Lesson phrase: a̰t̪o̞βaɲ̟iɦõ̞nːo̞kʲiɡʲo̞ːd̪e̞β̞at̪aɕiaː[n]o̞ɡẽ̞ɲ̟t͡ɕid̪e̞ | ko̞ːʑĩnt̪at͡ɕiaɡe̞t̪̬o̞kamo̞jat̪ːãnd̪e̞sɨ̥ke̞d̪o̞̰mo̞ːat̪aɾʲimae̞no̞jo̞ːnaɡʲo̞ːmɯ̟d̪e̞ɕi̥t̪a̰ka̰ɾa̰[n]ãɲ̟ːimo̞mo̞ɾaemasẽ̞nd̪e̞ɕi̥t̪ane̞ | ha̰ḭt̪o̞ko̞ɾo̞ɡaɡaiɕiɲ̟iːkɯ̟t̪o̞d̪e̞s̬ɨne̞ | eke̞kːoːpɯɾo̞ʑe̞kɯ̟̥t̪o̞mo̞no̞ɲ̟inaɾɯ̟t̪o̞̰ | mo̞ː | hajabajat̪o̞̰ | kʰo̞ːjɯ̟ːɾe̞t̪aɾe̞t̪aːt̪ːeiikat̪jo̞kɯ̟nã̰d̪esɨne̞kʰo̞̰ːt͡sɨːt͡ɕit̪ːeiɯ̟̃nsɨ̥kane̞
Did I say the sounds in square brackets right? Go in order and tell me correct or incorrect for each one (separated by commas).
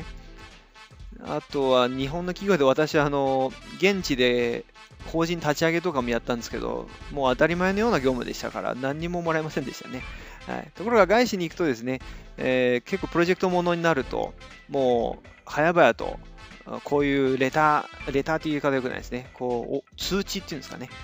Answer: correct, correct